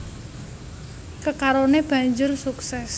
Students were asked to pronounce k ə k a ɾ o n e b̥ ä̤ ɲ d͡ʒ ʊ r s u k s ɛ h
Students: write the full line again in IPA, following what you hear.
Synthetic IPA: k ə k a ɾ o n e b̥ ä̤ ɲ d͡ʒ ʊ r s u k s ɛ s